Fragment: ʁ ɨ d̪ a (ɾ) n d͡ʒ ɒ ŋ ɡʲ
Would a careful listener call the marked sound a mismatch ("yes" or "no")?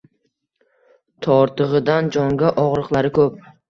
yes